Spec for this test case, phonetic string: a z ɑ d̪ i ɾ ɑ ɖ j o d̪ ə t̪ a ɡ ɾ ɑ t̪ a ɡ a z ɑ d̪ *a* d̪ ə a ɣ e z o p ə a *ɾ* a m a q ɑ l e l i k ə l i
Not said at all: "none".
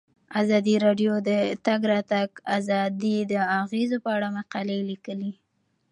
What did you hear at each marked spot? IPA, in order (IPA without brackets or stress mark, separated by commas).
i, ɽ